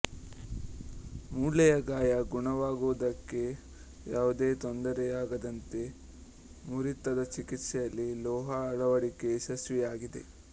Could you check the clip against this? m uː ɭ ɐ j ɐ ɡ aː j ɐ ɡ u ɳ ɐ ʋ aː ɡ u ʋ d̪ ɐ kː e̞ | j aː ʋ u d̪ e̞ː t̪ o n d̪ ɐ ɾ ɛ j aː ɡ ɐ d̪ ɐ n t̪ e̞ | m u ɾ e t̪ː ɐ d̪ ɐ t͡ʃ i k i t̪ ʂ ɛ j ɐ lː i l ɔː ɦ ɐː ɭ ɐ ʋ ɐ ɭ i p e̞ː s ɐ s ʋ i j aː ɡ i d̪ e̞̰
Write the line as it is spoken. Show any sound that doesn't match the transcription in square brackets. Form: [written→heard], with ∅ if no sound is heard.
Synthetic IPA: m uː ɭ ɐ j ɐ ɡ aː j ɐ ɡ u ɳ ɐ ʋ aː ɡ u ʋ d̪ ɐ kː e̞ | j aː ʋ u d̪ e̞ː t̪ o n d̪ ɐ ɾ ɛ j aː ɡ ɐ d̪ ɐ n t̪ e̞ | m u ɾ [e→i] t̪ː ɐ d̪ ɐ t͡ʃ i k i t̪ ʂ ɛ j ɐ lː i l ɔː ɦ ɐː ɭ ɐ ʋ ɐ [ɭ→ɽ] i [p→k] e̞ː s ɐ s ʋ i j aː ɡ i d̪ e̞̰